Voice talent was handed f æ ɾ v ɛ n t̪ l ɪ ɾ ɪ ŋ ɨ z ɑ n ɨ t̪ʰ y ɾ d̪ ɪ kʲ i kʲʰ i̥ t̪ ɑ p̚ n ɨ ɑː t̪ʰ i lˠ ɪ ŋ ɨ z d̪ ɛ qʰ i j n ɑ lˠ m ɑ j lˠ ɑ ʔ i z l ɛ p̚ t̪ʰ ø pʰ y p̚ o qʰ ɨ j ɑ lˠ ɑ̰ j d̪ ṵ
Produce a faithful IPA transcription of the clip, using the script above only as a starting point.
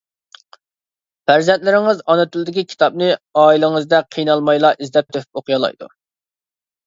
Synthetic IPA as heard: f æ ɾ z ɛ n t̪ l ɪ ɾ ɪ ŋ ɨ z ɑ n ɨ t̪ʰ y l d̪ ɪ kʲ i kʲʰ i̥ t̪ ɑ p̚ n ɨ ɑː i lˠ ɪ ŋ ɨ z d̪ ɛ qʰ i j n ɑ lˠ m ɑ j lˠ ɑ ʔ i z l ɛ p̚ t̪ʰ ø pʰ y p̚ o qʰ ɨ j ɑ lˠ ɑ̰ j d̪ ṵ